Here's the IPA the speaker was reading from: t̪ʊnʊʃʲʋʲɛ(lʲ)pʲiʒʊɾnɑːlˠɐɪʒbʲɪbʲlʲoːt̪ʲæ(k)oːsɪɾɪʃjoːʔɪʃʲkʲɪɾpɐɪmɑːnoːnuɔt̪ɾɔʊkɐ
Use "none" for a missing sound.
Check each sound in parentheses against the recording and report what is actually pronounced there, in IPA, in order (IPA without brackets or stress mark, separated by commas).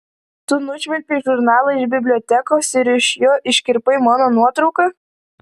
lʲ, k